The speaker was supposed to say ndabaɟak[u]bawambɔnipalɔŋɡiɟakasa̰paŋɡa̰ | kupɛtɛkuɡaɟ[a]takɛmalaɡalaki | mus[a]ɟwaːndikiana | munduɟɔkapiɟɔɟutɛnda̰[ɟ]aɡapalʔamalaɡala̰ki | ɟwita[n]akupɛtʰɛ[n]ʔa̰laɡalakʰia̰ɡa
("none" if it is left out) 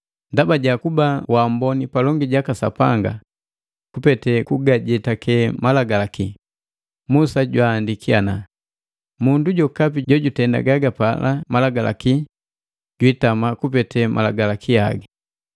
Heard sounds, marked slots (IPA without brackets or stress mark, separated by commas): u, ɛ, a, ɡ, m, m